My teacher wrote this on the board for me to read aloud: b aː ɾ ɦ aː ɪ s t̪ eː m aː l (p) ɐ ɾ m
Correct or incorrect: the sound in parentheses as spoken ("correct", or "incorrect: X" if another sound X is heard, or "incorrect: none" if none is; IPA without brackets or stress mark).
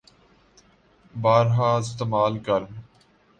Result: incorrect: k